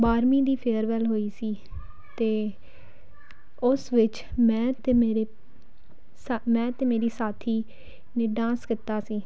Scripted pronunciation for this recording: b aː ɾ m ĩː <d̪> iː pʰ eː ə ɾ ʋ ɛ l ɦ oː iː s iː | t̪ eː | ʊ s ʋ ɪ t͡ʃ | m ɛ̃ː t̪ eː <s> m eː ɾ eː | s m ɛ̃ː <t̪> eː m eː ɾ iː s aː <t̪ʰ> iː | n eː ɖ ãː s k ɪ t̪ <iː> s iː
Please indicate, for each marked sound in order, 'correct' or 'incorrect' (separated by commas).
correct, incorrect, correct, correct, incorrect